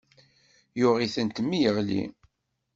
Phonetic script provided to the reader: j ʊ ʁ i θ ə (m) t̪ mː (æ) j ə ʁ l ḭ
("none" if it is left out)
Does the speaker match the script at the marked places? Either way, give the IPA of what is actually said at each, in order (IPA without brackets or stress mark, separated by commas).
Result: n, i